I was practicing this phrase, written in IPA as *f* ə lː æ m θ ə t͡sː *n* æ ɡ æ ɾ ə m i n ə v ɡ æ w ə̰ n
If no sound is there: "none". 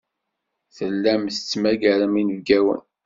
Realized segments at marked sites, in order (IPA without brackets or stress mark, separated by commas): θ, m